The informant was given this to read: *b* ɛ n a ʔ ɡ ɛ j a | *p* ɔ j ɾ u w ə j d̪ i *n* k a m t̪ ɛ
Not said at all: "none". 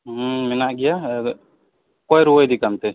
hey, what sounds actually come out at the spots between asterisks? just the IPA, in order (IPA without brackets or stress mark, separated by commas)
m, k, none